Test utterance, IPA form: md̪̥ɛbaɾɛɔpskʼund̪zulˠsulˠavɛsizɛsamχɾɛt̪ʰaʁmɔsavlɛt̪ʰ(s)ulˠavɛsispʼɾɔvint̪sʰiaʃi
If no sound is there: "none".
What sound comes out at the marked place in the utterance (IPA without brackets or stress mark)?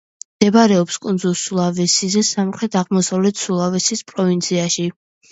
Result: s